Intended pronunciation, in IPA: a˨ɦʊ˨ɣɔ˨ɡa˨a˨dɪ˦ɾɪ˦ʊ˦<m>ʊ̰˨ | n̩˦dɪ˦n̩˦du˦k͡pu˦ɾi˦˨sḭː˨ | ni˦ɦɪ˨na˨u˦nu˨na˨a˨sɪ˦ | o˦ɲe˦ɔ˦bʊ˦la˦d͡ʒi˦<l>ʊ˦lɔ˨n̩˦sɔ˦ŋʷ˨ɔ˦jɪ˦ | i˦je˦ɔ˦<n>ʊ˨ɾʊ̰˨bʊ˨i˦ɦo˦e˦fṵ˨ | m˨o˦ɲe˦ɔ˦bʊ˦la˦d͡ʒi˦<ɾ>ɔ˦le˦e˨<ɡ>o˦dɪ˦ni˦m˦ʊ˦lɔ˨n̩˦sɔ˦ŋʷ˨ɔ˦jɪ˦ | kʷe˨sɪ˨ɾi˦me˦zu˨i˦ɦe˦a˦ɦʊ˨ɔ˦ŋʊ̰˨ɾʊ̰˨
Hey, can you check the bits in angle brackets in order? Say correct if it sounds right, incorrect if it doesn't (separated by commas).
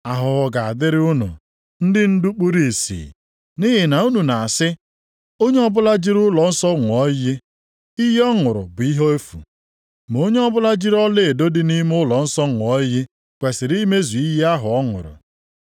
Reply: incorrect, incorrect, incorrect, correct, incorrect